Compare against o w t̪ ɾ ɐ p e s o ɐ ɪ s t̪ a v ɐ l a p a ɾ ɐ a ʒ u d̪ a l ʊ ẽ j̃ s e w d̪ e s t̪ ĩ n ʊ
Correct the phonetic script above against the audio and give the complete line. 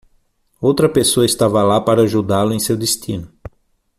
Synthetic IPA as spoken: o w t̪ ɾ ɐ p e s o ɐ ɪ s t̪ a v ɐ l a p a ɾ ɐ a ʒ u d̪ a l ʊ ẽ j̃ s e w d̪ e s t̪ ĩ n ʊ